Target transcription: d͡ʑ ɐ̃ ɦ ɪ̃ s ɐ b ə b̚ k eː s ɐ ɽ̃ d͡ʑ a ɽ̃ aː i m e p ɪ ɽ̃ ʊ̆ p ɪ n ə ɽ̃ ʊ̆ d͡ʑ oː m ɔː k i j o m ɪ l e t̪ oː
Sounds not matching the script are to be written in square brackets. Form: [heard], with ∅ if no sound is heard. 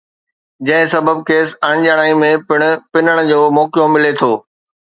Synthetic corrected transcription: d͡ʑ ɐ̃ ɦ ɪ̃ s ɐ b ə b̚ k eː s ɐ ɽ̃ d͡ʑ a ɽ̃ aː i m [ẽ] p ɪ ɽ̃ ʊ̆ p ɪ n ə ɽ̃ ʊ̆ d͡ʑ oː m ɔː k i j o m ɪ l e [t̪ʰ] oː